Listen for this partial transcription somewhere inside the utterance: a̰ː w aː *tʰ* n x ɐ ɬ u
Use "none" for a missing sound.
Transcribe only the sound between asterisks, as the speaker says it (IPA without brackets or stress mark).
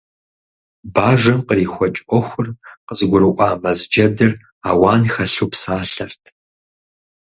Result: none